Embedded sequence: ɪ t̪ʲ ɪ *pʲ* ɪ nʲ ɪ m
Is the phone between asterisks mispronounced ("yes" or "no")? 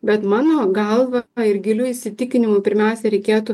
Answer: yes